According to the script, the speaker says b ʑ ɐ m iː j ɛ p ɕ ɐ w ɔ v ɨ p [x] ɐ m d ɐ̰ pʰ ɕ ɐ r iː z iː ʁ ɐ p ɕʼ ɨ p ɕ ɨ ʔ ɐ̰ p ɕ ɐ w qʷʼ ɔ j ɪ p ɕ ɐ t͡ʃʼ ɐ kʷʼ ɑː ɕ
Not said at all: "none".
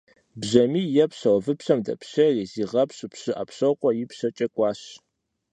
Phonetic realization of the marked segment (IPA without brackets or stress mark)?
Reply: ɕ